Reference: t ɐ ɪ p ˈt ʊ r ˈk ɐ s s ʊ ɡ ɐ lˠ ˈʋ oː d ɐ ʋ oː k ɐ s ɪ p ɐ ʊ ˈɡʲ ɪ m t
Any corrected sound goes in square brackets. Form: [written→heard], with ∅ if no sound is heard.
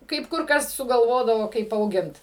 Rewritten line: [t→k] ɐ ɪ p [ˈt→ˈk] ʊ r ˈk ɐ s s ʊ ɡ ɐ lˠ ˈʋ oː d ɐ ʋ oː k ɐ [s→∅] ɪ p ɐ ʊ ˈɡʲ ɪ [m→n] t